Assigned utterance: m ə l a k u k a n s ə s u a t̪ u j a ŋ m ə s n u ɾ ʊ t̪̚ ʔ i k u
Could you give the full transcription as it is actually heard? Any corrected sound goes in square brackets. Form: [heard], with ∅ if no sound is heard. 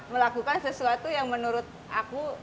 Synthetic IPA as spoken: m ə l a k u k a n s ə s u a t̪ u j a ŋ m ə [∅] n u ɾ ʊ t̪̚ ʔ [a] k u